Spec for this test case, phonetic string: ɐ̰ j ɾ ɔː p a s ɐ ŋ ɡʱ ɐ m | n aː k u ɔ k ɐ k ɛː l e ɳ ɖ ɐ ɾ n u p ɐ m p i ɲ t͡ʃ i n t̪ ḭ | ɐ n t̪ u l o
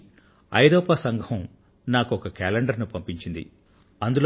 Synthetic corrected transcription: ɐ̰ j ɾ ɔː p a s ɐ ŋ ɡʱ ɐ m | n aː k u ɔ k ɐ k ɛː l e ɳ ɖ ɐ ɾ n u p ɐ m p i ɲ t͡ʃ i n d̪ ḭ | ɐ n d̪ u l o

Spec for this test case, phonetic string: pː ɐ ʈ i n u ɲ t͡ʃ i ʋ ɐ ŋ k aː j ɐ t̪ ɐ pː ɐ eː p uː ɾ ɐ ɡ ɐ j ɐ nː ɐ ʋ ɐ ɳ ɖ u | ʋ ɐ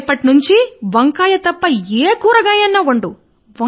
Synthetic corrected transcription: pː ɐ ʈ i n u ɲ t͡ʃ i ʋ ɐ ŋ k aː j ɐ t̪ ɐ pː ɐ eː k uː ɾ ɐ ɡ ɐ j ɐ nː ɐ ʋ ɐ ɳ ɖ u | ʋ ɐ

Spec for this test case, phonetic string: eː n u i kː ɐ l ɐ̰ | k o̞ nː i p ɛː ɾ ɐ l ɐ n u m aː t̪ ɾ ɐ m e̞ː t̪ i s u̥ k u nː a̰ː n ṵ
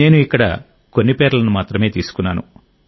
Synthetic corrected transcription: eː n u i kː ɐ ɽ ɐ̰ | k o̞ nː i p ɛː ɾ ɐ l ɐ n u m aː t̪ ɾ ɐ m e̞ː t̪ iː s u̥ k u nː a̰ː n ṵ

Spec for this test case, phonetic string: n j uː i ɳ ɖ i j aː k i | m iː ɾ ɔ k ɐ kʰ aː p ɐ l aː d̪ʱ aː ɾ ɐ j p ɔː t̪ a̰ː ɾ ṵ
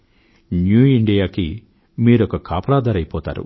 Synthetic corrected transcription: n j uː i ɳ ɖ i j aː k i | m iː ɾ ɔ k ɐ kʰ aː p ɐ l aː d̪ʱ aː ɾ ɐ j p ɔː t̪ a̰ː ɾ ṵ

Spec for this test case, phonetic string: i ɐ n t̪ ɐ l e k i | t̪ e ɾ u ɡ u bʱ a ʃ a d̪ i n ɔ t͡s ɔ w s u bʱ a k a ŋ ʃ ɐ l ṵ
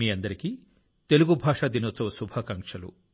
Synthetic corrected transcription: i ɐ n d̪ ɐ ɾ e k i | t̪ e l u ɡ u bʱ a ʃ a d̪ i n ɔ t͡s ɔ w s u bʱ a k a ŋ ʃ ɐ l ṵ

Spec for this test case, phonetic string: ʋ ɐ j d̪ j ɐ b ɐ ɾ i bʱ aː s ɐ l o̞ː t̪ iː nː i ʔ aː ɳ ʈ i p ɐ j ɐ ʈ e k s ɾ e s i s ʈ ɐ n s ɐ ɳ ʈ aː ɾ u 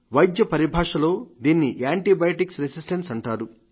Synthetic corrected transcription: ʋ ɐ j d̪ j ɐ p ɐ ɾ i bʱ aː ʂ ɐ l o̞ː d̪ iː nː i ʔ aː ɳ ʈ i b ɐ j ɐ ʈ i k s ɾ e s i s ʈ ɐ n s ɐ ɳ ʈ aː ɾ u

